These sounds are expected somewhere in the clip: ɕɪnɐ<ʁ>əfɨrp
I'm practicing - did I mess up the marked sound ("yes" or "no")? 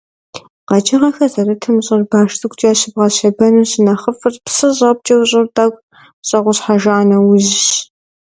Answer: yes